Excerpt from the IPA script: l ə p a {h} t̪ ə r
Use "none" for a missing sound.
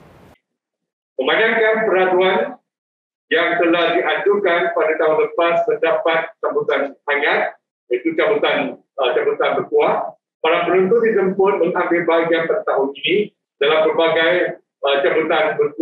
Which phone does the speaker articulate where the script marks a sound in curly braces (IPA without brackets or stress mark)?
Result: s